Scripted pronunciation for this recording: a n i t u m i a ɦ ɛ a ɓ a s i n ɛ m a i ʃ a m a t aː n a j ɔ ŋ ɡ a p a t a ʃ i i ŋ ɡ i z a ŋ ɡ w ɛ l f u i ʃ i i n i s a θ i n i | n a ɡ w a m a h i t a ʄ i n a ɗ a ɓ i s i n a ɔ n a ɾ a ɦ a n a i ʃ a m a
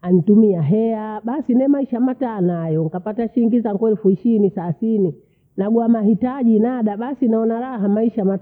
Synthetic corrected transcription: a n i t u m i a ɦ ɛ a ɓ a s i n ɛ m a i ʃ a m a t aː n a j ɔ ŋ k a p a t a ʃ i i ŋ ɡ i z a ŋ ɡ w ɛ l f u i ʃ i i n i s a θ i n i | n a ɡ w a m a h i t a ʄ i n a ɗ a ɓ a s i n a ɔ n a ɾ a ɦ a m a i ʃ a m a